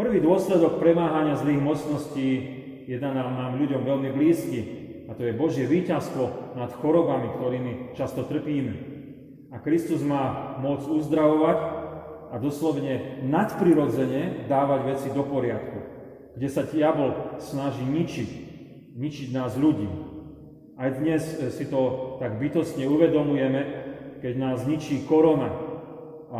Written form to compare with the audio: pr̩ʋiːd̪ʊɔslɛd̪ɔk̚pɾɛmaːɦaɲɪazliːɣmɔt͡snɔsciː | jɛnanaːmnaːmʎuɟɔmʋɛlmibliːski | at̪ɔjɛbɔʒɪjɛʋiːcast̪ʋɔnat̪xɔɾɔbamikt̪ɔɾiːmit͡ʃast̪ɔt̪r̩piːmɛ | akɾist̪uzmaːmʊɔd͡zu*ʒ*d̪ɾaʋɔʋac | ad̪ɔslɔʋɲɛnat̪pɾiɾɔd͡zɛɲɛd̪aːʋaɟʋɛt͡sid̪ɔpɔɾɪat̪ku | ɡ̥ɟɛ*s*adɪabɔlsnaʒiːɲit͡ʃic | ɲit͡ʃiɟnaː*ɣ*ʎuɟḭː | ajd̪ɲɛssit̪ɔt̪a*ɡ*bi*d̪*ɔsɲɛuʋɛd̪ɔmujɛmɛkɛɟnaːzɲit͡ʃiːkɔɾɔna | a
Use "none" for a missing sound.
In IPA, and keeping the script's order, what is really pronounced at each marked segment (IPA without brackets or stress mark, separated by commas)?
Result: z, s, z, ɡ, t̪